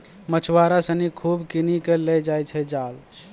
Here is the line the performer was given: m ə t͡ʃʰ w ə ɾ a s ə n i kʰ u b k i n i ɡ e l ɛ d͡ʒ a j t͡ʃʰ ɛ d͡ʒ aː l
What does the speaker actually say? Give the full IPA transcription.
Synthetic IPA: m ə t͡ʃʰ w a ɾ a s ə n i kʰ u b k i n i k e l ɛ d͡ʒ a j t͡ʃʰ ɛ d͡ʒ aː l